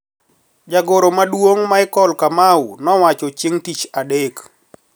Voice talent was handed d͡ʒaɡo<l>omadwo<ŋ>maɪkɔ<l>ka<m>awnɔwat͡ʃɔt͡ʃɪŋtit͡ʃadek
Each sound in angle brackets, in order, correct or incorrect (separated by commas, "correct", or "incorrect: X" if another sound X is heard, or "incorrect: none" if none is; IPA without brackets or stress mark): incorrect: ɾ, correct, correct, correct